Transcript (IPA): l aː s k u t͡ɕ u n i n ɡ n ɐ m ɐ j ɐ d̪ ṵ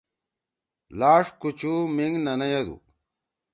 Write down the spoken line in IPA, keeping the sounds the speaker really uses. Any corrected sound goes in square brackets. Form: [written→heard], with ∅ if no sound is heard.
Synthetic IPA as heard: l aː [s→ʂ] k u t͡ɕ u [n→m] i [n→ŋ] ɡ n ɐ [m→n] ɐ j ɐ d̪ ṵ